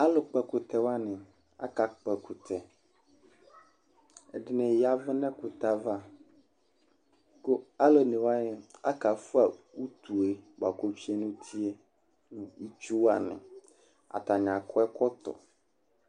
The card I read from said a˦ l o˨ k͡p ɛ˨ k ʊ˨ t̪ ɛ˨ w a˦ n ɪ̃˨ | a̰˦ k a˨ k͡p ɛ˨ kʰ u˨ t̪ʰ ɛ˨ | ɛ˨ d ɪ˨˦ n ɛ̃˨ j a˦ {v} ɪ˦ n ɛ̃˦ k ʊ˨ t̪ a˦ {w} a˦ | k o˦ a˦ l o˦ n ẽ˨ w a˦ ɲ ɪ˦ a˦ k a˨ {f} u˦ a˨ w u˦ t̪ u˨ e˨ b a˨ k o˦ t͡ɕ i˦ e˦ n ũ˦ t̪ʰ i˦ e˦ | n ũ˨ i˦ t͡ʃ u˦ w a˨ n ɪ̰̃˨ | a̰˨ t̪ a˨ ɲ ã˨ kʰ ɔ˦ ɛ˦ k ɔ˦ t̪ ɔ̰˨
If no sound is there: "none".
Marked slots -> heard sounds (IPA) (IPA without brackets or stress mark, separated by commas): v, v, f